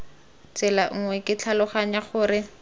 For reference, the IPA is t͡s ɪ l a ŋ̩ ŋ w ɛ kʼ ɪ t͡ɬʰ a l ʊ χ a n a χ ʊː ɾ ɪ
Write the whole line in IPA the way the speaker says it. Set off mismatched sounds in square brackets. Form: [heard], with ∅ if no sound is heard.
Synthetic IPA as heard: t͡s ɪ l a ŋ̩ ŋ w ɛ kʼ ɪ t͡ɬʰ a l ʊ χ a [ɲ] a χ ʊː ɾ ɪ